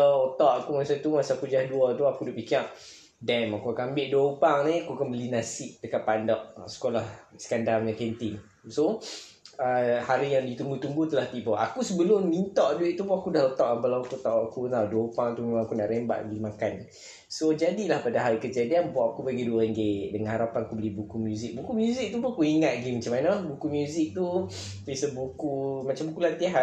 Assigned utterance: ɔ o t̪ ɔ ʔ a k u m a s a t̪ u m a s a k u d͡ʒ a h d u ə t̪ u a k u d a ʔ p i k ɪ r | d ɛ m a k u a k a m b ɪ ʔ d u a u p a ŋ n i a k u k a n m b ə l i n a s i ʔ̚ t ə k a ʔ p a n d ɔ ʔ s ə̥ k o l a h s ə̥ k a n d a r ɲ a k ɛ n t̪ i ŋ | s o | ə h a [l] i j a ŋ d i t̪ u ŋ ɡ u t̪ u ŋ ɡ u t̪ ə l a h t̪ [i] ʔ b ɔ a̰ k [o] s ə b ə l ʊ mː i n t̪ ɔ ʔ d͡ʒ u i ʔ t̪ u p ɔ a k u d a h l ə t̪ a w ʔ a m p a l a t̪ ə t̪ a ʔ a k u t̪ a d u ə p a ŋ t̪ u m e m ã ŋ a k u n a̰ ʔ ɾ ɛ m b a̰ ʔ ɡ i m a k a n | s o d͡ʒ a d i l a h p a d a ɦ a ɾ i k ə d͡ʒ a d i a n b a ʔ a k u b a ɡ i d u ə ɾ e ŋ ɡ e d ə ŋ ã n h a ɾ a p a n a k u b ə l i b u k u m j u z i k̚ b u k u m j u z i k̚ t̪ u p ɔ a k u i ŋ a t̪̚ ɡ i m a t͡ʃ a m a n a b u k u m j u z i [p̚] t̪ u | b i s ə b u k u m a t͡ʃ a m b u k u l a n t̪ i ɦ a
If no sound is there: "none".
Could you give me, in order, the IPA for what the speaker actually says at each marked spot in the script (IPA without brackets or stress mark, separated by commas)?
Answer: ɾ, i, u, k̚